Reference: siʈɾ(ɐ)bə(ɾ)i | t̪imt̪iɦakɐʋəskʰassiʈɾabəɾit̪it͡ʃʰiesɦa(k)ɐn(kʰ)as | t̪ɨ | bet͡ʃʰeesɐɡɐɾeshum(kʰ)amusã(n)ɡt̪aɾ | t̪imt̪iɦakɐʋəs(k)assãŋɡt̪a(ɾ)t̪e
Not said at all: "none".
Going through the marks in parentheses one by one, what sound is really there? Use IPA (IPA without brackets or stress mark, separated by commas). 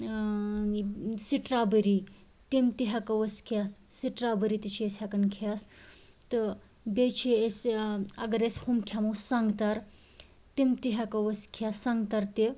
a, ɾ, k, kʰ, kʰ, ŋ, kʰ, ɾ